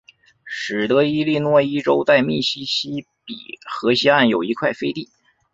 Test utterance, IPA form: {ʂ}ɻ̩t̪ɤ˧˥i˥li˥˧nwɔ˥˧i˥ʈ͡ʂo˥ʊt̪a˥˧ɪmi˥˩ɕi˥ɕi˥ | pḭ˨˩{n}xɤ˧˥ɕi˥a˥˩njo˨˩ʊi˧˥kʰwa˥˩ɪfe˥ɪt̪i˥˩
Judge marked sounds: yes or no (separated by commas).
yes, no